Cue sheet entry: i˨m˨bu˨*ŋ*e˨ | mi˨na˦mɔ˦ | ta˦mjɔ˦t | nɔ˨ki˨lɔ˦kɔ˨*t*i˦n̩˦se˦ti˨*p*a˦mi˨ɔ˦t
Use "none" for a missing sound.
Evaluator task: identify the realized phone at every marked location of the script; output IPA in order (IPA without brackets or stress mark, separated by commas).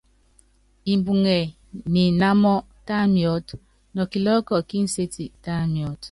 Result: ŋ, k, t